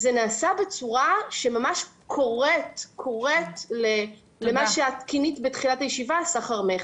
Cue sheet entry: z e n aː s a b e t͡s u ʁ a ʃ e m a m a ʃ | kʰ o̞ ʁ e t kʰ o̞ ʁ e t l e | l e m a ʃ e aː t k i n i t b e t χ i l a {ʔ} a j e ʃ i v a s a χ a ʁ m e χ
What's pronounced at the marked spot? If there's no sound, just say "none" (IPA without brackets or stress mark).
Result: t